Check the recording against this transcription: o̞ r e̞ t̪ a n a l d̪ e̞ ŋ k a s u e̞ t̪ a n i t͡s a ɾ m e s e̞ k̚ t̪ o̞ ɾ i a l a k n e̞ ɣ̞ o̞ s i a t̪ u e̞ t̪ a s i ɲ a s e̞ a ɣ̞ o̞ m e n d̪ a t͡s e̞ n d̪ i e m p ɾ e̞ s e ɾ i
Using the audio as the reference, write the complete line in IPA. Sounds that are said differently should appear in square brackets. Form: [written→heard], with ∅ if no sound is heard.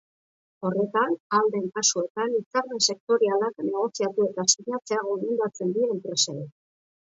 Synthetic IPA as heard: o̞ r e̞ t̪ a n a l d̪ e̞ ŋ k a s u e̞ t̪ a n i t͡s a ɾ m e s e̞ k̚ t̪ o̞ ɾ i a l a k n e̞ ɣ̞ o̞ s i a t̪ u e̞ t̪ a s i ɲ a [s→t͡s] e̞ a ɣ̞ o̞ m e n d̪ a t͡s e̞ n d̪ i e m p ɾ e̞ s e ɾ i